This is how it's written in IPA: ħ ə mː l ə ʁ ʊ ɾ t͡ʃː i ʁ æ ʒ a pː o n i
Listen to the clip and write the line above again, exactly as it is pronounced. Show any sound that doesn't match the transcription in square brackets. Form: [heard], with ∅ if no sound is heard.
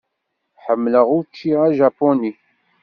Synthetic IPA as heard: ħ ə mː l ə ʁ ʊ ɾ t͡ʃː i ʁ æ ʒ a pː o n i